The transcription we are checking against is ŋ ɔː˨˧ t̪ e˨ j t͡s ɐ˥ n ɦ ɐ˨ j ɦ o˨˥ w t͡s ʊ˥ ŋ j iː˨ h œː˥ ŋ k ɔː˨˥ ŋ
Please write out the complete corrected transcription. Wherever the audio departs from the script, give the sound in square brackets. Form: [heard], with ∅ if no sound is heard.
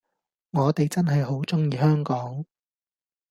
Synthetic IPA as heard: ŋ ɔː˨˧ t̪ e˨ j t͡s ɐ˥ n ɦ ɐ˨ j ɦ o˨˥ w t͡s ʊ˥ ŋ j iː˨ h œː˥ ŋ k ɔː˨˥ ŋ